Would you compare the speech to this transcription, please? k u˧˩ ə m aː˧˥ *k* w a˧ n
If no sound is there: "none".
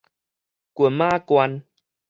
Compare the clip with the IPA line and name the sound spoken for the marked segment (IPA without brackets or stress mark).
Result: k